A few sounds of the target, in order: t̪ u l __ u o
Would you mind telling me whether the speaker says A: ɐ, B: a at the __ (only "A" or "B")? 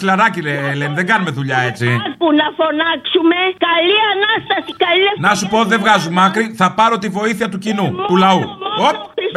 A